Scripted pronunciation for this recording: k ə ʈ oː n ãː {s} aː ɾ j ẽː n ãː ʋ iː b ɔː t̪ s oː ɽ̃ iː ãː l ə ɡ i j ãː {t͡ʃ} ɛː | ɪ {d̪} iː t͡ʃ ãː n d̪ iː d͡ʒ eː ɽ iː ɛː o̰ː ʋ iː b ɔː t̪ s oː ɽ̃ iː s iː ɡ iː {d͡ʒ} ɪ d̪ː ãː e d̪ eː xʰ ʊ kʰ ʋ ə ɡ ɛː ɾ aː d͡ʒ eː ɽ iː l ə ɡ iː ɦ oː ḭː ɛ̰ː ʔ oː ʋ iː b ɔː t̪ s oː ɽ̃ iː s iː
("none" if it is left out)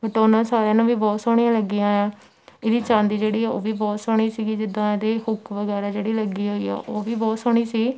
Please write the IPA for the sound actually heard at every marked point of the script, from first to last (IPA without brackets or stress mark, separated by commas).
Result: s, none, d̪, d͡ʒ